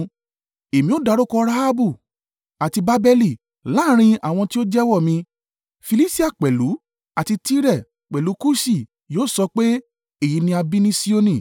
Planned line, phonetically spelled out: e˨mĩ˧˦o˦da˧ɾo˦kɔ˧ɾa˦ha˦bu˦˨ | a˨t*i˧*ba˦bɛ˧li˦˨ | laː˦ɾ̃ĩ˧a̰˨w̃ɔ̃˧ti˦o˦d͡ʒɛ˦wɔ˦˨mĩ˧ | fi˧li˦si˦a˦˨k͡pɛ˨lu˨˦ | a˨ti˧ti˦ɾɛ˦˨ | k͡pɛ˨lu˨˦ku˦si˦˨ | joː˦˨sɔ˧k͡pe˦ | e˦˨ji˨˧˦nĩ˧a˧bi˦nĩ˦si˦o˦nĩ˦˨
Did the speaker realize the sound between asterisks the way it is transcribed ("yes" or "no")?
yes